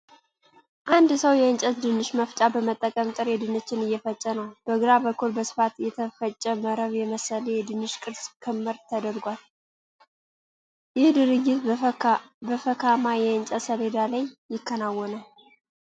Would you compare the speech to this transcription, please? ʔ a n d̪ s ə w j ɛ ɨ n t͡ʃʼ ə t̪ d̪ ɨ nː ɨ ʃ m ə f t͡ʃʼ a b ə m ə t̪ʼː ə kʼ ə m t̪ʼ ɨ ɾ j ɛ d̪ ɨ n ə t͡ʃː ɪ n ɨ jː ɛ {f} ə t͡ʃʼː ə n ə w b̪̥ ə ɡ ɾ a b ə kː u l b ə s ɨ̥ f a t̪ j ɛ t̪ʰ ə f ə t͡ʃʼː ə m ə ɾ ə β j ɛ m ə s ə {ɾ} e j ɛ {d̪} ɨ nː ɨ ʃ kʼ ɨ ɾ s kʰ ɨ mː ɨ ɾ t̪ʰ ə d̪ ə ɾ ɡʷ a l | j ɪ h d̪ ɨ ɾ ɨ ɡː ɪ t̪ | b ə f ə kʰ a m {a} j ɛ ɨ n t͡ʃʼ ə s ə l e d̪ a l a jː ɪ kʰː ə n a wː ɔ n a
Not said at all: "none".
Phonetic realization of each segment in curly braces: f, l, d̪, a

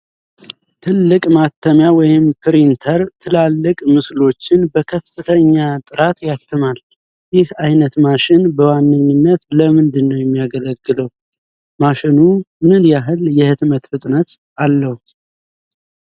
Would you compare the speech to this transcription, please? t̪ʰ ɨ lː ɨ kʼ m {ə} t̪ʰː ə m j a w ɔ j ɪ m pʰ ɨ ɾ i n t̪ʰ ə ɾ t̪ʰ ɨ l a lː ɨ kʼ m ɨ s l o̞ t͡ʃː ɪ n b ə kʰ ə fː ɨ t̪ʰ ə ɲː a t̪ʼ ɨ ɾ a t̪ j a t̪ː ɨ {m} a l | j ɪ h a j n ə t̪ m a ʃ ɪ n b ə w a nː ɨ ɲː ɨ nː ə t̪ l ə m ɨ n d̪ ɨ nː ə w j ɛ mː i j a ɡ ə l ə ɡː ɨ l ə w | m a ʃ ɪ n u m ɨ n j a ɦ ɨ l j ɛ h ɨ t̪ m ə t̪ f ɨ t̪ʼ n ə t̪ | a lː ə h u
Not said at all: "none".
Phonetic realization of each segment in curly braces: a, m

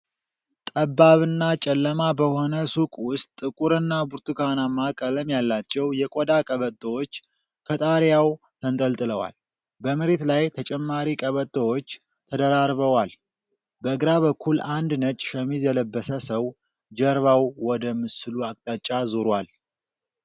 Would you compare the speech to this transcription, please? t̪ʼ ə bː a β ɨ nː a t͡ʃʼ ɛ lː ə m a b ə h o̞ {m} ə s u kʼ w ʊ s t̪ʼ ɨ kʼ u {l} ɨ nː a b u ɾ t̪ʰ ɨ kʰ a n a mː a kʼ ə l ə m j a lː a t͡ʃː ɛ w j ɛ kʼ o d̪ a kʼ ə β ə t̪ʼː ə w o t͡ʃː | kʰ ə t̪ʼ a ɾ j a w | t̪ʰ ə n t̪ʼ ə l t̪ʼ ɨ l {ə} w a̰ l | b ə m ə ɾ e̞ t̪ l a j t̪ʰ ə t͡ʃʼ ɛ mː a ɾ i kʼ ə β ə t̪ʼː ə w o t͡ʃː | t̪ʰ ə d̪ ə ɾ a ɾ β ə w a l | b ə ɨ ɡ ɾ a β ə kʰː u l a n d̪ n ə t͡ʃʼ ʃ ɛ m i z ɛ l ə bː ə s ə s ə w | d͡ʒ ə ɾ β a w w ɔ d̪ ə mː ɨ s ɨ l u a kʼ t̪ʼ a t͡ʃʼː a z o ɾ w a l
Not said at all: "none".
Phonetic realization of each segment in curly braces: n, ɾ, ə

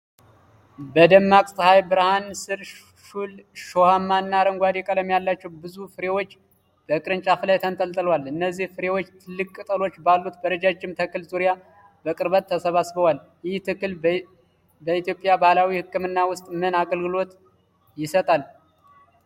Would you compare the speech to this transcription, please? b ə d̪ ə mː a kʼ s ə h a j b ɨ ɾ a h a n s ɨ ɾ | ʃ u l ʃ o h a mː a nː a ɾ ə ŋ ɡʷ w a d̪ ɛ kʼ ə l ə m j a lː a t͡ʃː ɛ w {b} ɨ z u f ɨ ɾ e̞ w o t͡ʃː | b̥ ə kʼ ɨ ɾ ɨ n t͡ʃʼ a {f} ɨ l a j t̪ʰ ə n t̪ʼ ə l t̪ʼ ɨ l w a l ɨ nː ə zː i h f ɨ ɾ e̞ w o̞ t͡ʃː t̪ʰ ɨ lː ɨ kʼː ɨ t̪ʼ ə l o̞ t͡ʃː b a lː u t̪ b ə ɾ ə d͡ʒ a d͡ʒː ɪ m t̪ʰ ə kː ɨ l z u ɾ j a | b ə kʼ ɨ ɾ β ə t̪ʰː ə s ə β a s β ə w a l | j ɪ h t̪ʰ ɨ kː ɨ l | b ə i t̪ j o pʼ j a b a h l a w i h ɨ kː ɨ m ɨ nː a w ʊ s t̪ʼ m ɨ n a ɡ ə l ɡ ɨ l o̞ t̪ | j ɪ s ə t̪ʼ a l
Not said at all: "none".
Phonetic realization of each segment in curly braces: b, f

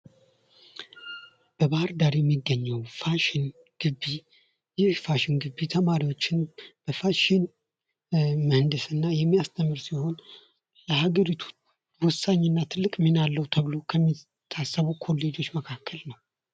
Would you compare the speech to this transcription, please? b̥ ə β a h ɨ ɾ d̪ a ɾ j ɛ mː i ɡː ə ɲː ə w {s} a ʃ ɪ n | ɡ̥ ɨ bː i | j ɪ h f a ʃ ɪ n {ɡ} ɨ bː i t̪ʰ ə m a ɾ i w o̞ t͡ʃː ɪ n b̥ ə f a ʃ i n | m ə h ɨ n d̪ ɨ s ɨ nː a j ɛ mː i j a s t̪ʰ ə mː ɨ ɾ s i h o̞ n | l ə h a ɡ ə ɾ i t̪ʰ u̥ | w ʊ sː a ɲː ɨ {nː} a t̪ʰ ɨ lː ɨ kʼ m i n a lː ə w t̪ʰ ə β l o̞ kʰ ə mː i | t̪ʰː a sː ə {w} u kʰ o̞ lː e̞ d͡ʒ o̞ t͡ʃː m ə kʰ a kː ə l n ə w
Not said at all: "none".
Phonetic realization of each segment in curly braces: f, ɡ, nː, β

